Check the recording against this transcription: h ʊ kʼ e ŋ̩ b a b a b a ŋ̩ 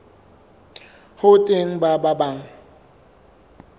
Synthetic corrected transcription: h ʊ tʼ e ŋ̩ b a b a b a ŋ̩